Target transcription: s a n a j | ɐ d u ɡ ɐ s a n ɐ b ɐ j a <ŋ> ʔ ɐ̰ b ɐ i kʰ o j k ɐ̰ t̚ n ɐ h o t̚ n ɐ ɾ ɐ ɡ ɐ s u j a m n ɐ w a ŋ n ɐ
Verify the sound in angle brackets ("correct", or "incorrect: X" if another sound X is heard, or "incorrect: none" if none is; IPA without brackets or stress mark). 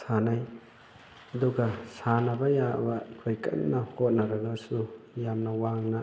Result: incorrect: none